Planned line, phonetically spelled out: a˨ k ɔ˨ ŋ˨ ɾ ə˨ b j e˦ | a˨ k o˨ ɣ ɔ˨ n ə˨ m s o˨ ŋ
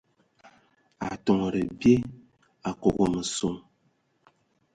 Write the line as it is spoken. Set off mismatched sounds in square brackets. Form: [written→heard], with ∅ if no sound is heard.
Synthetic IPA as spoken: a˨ [k→t] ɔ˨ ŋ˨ ɾ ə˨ b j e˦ | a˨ k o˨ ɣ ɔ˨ [n→m] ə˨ [m→∅] s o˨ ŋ